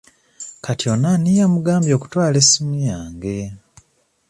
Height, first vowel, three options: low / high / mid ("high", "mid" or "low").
low